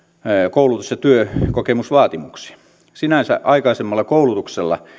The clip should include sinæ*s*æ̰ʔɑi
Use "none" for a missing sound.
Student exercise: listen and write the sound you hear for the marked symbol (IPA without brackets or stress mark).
s